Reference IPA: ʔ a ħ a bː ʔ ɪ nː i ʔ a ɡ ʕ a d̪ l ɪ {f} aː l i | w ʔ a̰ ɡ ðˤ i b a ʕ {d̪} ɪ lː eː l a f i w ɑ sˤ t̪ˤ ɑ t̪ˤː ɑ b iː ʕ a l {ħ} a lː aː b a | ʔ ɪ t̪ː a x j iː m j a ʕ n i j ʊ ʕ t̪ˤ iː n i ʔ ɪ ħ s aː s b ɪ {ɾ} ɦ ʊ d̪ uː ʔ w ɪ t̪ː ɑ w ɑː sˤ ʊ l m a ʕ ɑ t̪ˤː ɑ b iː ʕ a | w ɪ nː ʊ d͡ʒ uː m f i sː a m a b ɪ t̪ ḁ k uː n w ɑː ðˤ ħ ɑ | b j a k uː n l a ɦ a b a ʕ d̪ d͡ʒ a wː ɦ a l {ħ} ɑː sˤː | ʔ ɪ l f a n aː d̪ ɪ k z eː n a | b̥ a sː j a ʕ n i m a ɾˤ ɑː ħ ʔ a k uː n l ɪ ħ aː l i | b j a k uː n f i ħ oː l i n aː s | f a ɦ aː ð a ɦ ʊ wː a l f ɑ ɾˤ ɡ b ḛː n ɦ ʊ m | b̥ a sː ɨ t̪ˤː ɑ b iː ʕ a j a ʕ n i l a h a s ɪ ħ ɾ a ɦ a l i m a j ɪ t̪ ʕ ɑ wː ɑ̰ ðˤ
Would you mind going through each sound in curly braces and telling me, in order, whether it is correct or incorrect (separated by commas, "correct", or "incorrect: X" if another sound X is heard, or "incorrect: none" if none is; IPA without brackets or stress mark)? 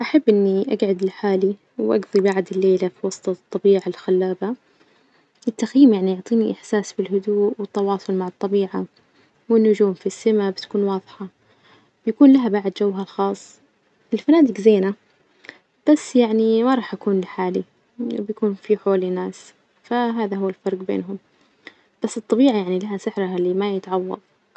incorrect: ħ, correct, incorrect: x, incorrect: l, incorrect: x